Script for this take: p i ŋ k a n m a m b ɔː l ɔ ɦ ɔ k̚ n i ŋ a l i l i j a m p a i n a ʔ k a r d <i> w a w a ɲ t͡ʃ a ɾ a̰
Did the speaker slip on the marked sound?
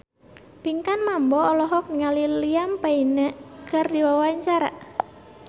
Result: no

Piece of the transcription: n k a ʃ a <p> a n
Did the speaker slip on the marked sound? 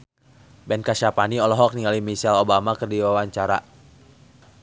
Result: no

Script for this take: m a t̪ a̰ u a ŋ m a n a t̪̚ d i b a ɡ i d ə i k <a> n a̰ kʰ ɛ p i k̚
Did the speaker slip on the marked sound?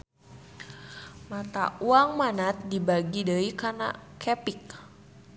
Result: no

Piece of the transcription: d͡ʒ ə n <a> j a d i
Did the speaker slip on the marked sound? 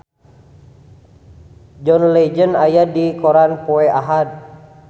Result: no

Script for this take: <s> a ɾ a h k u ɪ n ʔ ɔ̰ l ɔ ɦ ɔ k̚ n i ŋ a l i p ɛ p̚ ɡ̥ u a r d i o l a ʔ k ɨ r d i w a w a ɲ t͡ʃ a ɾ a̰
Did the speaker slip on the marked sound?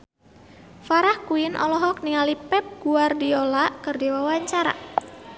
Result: yes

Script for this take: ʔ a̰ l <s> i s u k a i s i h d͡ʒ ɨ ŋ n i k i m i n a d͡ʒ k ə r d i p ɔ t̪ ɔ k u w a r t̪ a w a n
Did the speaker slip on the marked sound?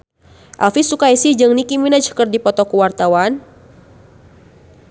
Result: yes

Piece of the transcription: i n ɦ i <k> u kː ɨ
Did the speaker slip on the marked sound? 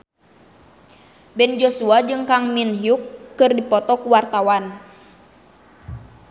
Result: yes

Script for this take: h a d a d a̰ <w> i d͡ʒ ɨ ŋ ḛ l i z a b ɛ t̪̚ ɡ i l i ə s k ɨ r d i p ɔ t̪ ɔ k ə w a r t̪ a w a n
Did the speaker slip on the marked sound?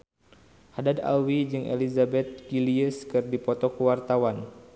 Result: no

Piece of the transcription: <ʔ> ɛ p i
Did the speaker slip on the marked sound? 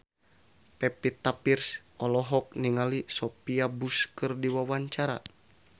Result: yes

